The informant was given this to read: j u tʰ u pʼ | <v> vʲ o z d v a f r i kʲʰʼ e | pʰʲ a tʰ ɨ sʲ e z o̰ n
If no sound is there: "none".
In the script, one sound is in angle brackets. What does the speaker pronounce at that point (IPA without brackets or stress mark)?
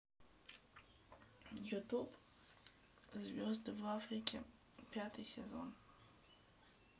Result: z